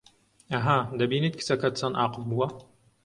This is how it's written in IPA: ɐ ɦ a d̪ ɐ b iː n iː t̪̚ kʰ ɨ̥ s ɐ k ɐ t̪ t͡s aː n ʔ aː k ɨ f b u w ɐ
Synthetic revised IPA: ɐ ɦ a d̪ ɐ b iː n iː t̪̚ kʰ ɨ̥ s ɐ k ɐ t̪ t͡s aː n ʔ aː q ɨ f b u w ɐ

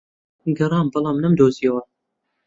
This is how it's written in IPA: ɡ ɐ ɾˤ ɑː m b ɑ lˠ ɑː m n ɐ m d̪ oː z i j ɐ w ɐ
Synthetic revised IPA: ɡ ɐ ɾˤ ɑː m b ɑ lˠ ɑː m n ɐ m d̪ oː z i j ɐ w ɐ

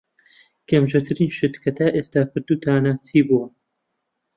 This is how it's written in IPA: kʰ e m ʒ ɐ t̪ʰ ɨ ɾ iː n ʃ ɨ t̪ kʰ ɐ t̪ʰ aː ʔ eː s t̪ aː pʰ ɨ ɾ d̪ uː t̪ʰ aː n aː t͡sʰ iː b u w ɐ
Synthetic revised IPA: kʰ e m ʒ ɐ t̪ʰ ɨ ɾ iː n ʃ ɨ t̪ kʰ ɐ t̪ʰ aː ʔ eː s t̪ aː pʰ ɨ ɾ d̪ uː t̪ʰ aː n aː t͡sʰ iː b u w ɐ

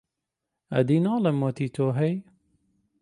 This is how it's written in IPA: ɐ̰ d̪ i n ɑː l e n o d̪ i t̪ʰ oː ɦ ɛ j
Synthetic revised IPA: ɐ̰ d̪ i n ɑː l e m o t̪ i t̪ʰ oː ɦ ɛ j

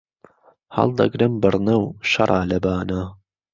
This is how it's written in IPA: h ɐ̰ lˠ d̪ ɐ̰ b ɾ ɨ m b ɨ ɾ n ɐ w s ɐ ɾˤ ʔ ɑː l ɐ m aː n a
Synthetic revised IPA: h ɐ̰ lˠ d̪ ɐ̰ ɡ ɾ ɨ m b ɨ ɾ n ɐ w ʃ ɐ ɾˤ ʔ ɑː l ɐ b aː n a

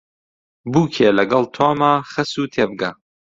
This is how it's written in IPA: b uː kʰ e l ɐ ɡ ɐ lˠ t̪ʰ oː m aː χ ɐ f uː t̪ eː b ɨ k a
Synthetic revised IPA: b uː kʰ e l ɐ ɡ ɐ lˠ t̪ʰ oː m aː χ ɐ s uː t̪ʰ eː b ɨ ɡ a

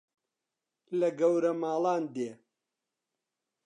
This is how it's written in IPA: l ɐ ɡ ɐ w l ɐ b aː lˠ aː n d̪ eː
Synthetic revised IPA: l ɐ ɡ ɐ w ɾ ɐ m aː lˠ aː n d̪ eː

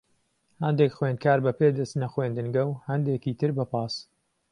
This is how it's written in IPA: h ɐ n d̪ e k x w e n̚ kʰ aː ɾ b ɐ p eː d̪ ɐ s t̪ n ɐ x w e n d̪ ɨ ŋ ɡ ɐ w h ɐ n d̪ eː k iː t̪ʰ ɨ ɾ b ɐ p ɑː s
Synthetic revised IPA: h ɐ n d̪ e k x w e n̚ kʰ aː ɾ b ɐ p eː d̪ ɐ s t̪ n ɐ x w e n d̪ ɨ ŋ ɡ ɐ w h ɐ n d̪ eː k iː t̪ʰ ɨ ɾ b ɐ p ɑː s

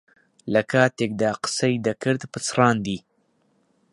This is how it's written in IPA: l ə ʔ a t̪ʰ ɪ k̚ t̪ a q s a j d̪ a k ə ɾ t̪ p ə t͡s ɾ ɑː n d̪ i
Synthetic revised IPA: l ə k a t̪ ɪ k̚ d̪ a q s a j d̪ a k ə ɾ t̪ p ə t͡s ɾ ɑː n d̪ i

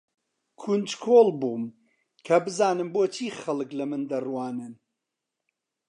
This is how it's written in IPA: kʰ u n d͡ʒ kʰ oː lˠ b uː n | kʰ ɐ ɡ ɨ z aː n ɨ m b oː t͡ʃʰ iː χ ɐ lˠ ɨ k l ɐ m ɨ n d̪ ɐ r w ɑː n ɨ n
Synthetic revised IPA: kʰ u n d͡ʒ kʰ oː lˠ b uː m | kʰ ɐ b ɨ z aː n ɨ m b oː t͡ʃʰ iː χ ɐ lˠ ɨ k l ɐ m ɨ n d̪ ɐ r w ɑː n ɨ n

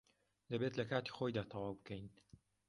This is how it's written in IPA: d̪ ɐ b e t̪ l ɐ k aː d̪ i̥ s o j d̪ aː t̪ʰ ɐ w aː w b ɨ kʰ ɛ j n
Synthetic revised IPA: d̪ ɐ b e t̪ l ɐ k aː t̪ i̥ x o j d̪ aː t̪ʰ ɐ w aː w b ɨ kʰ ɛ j n

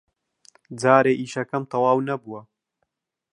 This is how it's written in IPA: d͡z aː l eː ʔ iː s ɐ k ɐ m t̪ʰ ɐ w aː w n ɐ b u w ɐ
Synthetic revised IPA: d͡z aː ɾ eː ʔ iː ʃ ɐ k ɐ m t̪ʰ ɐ w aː w n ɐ b u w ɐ

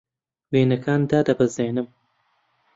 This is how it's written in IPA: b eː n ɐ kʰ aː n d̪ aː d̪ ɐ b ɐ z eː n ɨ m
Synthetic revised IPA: w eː n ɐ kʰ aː n d̪ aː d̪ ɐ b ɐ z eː n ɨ m

